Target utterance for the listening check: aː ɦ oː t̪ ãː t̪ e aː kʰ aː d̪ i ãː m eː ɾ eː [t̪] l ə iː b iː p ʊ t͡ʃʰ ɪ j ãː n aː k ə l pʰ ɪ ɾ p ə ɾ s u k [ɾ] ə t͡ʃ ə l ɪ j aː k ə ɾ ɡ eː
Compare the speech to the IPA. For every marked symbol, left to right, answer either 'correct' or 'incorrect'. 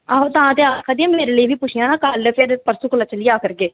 incorrect, incorrect

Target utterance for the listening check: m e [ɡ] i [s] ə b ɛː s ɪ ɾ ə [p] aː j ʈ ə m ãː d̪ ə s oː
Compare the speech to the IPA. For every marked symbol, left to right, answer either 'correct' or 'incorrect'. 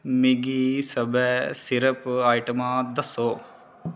correct, correct, correct

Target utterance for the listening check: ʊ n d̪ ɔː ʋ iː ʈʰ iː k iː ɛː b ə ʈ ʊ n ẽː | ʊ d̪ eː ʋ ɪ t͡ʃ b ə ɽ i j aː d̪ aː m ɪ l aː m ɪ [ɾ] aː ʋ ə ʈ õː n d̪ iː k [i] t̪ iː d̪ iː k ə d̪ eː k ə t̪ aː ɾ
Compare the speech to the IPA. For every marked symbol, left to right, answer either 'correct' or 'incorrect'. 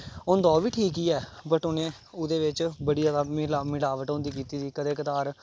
incorrect, incorrect

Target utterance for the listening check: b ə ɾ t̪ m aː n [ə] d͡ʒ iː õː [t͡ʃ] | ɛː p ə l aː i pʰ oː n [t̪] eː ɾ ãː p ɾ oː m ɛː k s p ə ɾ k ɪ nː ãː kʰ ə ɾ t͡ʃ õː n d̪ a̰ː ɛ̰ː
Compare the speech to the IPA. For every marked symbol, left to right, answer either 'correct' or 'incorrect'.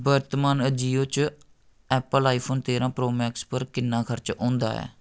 correct, correct, correct

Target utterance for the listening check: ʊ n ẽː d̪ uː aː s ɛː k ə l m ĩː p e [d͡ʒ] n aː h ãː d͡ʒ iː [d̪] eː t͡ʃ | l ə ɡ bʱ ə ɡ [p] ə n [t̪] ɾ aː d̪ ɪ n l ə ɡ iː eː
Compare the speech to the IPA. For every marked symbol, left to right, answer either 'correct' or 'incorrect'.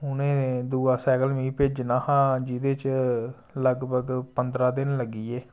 correct, correct, correct, incorrect

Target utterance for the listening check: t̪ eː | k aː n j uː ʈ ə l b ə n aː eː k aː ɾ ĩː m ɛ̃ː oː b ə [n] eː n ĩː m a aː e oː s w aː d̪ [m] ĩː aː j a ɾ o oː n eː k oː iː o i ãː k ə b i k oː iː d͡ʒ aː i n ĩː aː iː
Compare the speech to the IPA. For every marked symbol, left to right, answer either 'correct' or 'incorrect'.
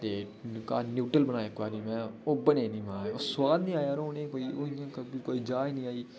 correct, incorrect

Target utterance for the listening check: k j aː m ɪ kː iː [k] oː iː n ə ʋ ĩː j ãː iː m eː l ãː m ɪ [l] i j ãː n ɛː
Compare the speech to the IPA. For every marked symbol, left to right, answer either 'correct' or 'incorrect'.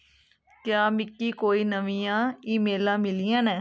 correct, correct

